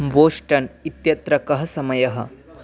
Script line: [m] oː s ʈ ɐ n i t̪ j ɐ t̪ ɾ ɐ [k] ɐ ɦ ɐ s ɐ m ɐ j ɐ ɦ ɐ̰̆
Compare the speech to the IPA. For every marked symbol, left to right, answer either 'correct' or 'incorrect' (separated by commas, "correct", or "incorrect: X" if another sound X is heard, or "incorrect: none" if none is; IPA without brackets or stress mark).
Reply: incorrect: b, correct